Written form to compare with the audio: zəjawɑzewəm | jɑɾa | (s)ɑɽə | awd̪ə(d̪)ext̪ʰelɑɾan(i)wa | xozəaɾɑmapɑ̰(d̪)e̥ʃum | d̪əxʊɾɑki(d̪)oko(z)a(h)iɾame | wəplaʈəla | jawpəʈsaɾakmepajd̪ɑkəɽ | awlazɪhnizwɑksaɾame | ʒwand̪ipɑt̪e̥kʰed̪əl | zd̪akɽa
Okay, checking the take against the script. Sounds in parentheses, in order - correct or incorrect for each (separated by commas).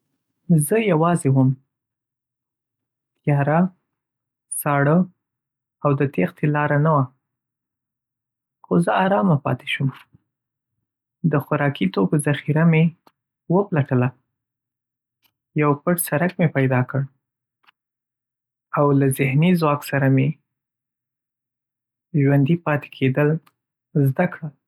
correct, incorrect, incorrect, incorrect, incorrect, correct, incorrect